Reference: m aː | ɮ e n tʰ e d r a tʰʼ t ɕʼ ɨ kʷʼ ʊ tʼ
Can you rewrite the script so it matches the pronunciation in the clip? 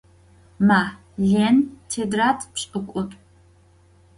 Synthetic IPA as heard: m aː | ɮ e n tʰ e d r a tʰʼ p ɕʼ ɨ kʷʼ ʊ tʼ